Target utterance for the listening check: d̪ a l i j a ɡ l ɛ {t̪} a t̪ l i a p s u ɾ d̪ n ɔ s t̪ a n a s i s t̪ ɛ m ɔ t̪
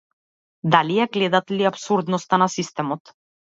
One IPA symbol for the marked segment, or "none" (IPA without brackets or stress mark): d̪